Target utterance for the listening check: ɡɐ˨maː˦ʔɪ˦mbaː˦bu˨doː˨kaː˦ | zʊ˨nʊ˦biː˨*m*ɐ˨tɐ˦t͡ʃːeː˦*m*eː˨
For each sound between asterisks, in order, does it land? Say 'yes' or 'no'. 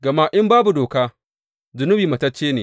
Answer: yes, no

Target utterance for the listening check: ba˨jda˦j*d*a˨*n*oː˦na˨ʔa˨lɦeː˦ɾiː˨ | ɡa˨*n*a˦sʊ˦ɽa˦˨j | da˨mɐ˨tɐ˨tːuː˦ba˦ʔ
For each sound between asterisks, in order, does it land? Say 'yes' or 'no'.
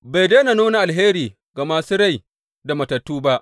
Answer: no, yes, no

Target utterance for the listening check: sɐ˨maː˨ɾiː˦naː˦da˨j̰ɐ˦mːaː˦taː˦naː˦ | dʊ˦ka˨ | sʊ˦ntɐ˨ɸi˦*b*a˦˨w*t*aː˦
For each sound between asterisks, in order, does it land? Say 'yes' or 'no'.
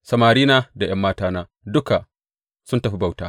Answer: yes, yes

